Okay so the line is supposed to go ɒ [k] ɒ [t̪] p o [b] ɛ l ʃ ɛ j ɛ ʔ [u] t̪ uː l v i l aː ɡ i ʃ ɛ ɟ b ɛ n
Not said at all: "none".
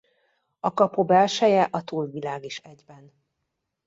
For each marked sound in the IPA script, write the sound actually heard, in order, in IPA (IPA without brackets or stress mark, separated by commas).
k, none, b, ɒ